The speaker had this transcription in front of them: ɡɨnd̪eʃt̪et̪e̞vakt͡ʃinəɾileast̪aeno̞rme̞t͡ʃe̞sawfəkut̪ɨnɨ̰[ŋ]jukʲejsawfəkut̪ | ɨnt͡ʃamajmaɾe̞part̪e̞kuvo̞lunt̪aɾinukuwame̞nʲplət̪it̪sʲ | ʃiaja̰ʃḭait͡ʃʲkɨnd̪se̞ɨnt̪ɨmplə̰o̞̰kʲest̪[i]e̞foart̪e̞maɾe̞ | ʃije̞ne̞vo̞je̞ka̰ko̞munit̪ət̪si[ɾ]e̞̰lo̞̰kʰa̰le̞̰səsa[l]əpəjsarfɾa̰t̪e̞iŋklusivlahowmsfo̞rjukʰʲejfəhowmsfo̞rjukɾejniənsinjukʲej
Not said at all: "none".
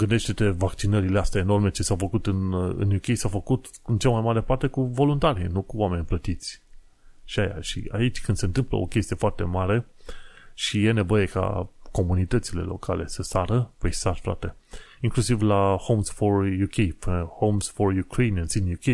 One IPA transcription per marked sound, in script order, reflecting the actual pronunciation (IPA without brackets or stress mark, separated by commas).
n, i, l, ɾ